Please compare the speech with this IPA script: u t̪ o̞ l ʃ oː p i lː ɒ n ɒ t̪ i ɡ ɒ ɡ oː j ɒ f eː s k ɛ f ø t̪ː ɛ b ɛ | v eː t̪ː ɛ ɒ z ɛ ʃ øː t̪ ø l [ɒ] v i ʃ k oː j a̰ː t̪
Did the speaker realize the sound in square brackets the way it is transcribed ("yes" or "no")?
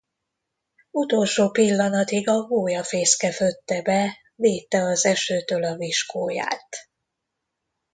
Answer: yes